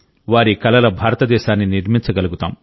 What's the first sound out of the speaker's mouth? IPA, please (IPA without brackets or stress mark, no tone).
ʋ